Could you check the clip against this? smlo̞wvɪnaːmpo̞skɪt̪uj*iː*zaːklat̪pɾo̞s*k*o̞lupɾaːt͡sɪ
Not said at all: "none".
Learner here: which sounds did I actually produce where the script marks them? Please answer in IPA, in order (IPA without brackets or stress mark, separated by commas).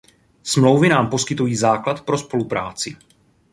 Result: iː, p